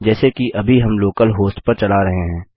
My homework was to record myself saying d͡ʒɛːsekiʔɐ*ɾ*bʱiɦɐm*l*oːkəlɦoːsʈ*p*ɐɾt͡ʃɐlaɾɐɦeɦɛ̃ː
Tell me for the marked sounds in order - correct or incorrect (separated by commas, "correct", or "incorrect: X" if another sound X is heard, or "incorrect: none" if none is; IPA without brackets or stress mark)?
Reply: incorrect: none, correct, correct